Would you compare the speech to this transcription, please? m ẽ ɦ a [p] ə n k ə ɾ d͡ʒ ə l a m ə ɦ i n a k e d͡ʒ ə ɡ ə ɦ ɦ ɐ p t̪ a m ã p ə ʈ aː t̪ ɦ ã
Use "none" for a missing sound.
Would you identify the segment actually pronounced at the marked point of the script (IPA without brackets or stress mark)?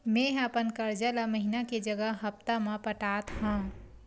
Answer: p